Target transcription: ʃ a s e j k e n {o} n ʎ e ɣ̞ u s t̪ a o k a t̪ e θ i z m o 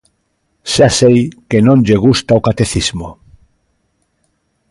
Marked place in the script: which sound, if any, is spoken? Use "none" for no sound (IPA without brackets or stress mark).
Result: õ